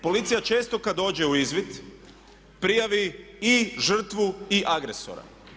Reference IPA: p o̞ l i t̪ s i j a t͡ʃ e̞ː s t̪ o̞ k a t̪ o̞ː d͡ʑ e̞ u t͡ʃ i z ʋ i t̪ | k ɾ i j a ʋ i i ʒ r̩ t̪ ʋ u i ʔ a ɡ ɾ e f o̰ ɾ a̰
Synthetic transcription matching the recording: p o̞ l i t̪ s i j a t͡ʃ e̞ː s t̪ o̞ k a d̪ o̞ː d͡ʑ e̞ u i z ʋ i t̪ | p ɾ i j a ʋ i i ʒ r̩ t̪ ʋ u i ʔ a ɡ ɾ e s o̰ ɾ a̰